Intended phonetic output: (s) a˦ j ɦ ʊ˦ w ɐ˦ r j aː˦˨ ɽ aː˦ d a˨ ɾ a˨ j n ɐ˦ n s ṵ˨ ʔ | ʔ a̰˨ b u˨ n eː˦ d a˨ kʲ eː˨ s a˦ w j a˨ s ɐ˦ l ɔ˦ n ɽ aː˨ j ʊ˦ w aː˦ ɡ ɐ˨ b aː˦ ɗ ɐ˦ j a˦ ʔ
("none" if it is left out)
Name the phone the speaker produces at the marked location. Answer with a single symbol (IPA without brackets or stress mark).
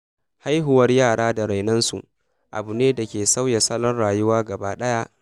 h